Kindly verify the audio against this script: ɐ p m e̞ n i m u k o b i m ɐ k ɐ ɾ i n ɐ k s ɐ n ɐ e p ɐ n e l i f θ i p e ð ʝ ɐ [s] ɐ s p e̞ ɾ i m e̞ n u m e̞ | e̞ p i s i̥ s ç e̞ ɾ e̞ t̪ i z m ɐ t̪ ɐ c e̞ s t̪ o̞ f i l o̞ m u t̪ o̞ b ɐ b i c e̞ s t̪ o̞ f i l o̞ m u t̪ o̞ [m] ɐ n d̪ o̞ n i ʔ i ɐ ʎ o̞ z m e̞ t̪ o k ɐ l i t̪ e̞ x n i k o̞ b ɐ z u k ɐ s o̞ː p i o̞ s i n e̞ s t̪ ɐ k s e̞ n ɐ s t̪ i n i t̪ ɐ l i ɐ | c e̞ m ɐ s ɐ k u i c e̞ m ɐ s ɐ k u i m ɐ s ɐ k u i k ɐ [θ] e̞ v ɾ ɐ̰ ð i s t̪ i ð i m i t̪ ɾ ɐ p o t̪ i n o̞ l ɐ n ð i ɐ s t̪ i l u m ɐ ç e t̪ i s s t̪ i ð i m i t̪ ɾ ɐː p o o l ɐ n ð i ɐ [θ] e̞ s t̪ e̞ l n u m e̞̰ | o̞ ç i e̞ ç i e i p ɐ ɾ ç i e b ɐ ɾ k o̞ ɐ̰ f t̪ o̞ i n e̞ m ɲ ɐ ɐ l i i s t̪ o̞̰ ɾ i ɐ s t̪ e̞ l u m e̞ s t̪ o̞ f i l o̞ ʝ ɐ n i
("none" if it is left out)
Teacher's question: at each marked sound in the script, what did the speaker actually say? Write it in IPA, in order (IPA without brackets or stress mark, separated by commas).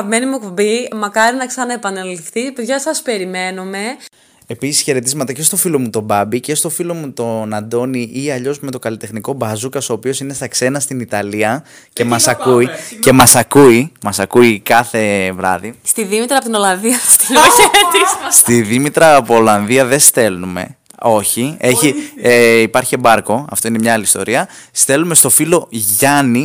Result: s, n, θ, ð